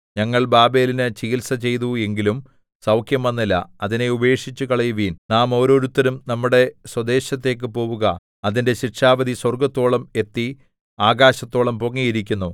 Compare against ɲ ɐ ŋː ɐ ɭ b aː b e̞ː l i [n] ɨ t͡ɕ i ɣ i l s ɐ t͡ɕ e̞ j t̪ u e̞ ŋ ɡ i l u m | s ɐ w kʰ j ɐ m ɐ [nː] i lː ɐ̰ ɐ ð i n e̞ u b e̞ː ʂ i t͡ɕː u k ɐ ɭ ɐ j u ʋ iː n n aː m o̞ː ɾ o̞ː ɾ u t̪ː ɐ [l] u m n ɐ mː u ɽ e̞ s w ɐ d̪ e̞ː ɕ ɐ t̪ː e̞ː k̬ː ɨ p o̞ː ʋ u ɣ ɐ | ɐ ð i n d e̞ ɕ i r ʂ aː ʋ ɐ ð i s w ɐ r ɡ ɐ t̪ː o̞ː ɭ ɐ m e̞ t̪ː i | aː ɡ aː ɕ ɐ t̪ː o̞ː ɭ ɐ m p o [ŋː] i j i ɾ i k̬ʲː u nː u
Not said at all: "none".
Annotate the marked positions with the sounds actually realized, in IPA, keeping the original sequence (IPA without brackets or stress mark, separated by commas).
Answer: n, nː, ɾ, ŋː